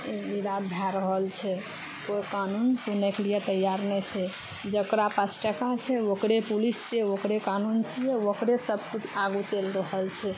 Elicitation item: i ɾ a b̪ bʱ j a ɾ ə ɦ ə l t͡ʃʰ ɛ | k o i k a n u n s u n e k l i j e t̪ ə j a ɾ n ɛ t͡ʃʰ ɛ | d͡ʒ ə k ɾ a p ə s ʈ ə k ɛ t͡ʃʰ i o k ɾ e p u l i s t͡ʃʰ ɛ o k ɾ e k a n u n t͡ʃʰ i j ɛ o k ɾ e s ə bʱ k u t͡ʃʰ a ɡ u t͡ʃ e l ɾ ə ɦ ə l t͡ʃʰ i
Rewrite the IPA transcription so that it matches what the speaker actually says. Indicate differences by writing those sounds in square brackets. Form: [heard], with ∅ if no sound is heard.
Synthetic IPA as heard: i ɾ a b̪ bʱ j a ɾ ə ɦ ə l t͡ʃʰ ɛ | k o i k a n u n s u n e k l i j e t̪ ə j a ɾ n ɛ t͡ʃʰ ɛ | d͡ʒ ə k ɾ a p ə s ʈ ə k [a] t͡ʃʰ [ɛ] o k ɾ e p u l i s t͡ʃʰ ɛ o k ɾ e k a n u n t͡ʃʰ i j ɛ o k ɾ e s ə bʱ k u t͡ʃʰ a ɡ u t͡ʃ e l ɾ ə ɦ ə l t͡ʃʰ [ɛ]

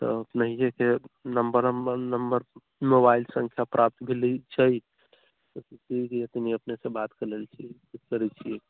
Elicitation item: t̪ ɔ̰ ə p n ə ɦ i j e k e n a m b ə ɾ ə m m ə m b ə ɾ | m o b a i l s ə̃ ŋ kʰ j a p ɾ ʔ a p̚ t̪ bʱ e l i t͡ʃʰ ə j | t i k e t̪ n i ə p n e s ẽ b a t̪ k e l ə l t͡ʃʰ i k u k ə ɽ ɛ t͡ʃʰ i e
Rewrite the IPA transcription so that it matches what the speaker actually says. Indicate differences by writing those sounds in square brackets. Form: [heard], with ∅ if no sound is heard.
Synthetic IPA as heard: t̪ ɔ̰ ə p n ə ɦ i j e k e n [ə] m b ə ɾ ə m [n] ə m b ə ɾ | m o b a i l s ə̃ ŋ kʰ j a p ɾ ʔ a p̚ t̪ bʱ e l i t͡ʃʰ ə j | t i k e t̪ n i ə p n e s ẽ b a t̪ k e l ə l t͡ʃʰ i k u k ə [ɾ] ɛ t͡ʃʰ i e

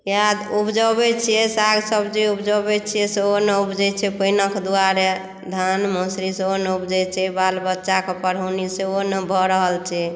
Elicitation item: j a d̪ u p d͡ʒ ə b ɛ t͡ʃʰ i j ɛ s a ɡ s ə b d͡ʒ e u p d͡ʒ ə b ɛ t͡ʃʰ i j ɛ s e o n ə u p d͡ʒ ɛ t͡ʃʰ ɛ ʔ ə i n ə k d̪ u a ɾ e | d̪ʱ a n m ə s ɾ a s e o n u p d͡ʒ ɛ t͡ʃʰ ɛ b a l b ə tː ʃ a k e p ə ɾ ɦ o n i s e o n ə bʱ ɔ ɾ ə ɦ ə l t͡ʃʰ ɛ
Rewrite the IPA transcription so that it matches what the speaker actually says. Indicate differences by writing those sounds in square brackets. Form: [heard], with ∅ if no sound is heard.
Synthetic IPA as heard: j a d̪ u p d͡ʒ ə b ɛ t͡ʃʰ i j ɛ s a ɡ s ə b d͡ʒ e u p d͡ʒ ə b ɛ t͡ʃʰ i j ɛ s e o n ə u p d͡ʒ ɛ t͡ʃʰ ɛ [p] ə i n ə k d̪ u a ɾ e | d̪ʱ a n m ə s ɾ [i] s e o n u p d͡ʒ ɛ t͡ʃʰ ɛ b a l b ə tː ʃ a k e p ə ɾ ɦ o n i s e o n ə bʱ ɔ ɾ ə ɦ ə l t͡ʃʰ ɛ

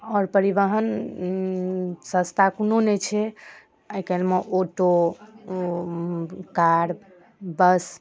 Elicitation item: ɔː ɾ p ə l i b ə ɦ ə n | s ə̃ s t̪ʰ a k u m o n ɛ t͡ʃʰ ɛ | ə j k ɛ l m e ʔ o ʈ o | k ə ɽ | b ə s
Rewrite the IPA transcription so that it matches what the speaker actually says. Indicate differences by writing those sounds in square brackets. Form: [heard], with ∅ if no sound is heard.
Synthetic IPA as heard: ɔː ɾ p ə [ɾ] i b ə ɦ ə n | s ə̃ s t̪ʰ a k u [n] o n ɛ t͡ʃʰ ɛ | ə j k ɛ l m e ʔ o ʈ o | k [a] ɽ | b ə s

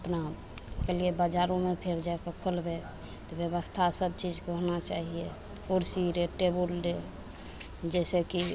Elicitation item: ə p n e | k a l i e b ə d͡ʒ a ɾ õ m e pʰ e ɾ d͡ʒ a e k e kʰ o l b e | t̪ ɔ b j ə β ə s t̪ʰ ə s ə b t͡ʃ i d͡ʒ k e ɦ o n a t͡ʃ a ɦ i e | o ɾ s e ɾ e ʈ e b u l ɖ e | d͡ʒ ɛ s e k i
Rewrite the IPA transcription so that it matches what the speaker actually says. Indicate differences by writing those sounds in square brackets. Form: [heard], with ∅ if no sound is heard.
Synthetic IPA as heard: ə p n [a] | k [e] l i e b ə d͡ʒ a ɾ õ m e pʰ e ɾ d͡ʒ a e k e kʰ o l b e | t̪ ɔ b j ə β ə s t̪ʰ [a] s ə b t͡ʃ i d͡ʒ k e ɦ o n a t͡ʃ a ɦ i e | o ɾ s [i] ɾ e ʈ e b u l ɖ e | d͡ʒ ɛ s e k i

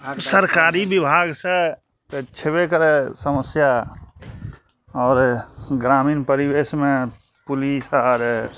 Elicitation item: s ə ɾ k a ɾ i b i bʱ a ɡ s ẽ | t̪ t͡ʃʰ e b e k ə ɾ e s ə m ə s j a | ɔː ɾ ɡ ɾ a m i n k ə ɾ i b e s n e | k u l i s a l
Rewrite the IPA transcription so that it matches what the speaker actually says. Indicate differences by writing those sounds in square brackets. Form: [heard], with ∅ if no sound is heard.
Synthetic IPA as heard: s ə ɾ k a ɾ i b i bʱ a ɡ s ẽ | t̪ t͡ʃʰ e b e k ə ɾ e s ə m ə s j a | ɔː ɾ ɡ ɾ a m i n [p] ə ɾ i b e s [m] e | [p] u l i s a [ɾ]

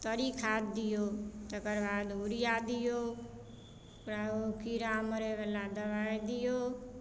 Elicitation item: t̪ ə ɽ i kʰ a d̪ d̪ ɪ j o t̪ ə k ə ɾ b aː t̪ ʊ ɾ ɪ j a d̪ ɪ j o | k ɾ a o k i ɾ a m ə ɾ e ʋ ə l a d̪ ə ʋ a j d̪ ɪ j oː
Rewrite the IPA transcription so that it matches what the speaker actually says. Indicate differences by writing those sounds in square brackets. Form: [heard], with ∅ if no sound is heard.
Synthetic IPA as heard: t̪ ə [ɾ] i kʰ a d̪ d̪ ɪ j o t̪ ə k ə ɾ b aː [d̪] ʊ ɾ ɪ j a d̪ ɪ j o | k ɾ a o k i ɾ a m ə ɾ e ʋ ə l a d̪ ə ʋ a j d̪ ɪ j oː

